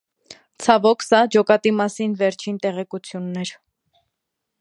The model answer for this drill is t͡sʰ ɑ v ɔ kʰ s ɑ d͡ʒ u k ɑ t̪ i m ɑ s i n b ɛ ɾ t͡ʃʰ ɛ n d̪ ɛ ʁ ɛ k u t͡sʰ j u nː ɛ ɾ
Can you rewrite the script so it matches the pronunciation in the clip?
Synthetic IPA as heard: t͡sʰ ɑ v ɔ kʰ s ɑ d͡ʒ ɔ k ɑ t̪ i m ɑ s i n v ɛ ɾ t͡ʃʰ i n t̪ ɛ ʁ ɛ k u t͡sʰ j u nː ɛ ɾ